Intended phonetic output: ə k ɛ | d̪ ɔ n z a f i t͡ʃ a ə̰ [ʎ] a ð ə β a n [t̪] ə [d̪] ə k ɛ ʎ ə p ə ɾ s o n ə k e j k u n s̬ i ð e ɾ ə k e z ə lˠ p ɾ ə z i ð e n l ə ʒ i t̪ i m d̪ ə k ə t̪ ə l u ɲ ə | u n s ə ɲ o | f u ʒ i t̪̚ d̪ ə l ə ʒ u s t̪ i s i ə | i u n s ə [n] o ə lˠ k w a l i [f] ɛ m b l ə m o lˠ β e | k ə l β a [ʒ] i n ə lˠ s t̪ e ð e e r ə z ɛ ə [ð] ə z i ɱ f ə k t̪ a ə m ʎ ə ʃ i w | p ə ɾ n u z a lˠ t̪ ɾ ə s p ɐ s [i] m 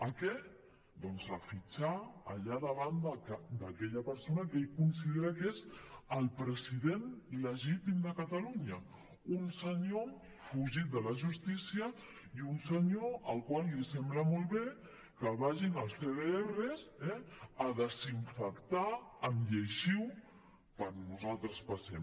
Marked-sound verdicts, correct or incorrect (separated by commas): correct, incorrect, correct, incorrect, incorrect, correct, correct, incorrect